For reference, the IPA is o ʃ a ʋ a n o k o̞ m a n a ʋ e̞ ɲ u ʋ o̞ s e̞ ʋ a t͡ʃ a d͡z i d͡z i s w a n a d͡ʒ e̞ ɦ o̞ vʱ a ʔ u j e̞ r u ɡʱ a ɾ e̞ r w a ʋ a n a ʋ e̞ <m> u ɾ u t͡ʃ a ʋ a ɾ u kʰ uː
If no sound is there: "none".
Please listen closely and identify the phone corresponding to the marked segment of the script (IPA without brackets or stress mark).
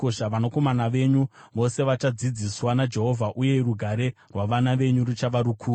ɲ